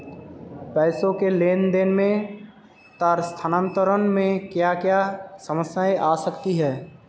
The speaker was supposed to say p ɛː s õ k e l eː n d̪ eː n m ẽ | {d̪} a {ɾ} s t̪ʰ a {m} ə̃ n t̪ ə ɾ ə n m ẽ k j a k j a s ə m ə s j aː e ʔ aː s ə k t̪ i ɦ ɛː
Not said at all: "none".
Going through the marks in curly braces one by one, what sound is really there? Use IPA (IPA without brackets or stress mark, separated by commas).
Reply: t̪, ɾ, n